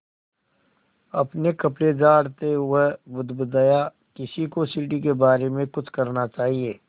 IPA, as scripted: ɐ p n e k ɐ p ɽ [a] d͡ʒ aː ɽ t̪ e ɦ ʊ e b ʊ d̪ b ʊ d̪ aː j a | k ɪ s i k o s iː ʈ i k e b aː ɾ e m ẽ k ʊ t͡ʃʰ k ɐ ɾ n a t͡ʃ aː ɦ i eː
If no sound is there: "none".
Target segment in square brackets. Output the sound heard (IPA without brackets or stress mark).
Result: e